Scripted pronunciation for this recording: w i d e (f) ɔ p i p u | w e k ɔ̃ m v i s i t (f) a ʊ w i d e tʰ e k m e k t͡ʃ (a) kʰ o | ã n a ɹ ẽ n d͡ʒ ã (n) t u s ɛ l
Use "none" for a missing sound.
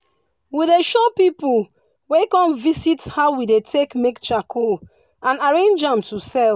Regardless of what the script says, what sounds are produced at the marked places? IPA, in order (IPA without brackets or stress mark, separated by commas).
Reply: ʃ, h, a, m